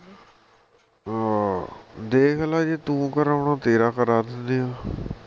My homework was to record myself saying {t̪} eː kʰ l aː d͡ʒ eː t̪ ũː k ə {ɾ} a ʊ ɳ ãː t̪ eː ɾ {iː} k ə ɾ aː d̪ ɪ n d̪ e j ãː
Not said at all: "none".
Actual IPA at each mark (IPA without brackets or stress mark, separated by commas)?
d̪, ɾ, aː